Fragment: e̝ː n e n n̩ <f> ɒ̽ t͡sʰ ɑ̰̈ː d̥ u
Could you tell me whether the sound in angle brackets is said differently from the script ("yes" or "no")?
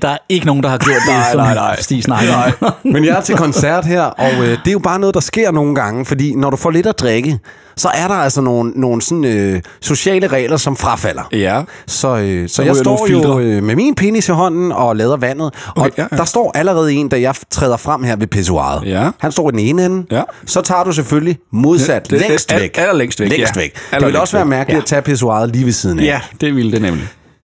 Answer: yes